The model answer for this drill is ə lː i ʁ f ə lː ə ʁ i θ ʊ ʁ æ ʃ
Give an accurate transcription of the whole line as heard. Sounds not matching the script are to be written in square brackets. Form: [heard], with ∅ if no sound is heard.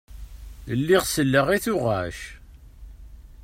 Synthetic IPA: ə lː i ʁ [s] ə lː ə ʁ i θ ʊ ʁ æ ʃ